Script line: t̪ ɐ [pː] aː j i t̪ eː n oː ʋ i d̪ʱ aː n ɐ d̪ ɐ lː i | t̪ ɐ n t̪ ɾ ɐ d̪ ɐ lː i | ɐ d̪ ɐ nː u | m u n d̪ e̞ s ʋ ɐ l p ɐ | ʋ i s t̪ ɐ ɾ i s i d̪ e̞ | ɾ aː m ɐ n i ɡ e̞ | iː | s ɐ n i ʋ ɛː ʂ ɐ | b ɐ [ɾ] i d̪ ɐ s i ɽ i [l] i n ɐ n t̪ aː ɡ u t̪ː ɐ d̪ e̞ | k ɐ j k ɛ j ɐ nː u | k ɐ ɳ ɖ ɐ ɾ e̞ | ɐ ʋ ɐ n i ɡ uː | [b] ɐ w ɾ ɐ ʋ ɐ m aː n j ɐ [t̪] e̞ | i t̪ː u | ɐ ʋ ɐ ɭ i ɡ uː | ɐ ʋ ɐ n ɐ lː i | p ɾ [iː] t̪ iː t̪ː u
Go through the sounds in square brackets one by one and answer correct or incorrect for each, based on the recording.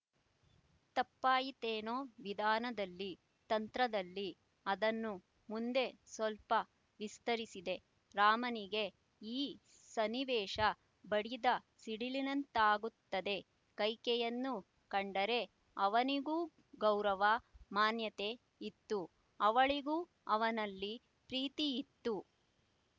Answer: correct, incorrect: ɽ, correct, incorrect: ɡ, correct, correct

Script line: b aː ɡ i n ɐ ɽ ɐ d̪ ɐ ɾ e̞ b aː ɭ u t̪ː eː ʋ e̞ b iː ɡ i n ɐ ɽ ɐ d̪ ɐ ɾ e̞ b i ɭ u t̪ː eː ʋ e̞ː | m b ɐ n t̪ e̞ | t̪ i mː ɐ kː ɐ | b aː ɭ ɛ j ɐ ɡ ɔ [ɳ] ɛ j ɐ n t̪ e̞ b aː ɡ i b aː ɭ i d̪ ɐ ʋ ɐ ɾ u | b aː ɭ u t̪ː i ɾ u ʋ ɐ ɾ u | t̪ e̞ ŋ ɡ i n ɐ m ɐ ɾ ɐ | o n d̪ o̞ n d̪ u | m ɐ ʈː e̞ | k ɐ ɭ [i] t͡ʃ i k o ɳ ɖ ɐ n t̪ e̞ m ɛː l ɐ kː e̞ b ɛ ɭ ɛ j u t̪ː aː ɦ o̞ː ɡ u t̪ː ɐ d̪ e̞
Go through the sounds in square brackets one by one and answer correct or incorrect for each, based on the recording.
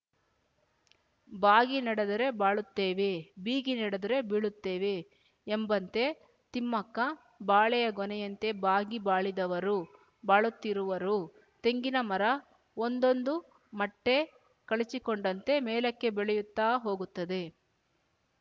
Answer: incorrect: n, correct

